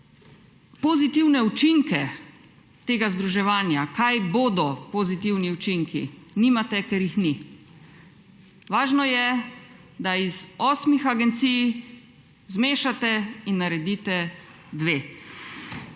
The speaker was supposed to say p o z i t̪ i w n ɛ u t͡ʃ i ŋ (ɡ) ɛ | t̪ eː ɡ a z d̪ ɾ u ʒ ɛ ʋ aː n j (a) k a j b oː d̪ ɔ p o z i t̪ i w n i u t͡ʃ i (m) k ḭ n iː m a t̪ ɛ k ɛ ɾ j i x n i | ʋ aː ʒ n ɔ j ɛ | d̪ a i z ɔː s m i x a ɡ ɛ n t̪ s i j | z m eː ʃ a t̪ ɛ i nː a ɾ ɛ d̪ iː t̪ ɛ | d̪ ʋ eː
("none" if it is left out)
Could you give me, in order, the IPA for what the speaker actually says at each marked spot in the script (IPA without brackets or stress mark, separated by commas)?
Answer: k, a, ŋ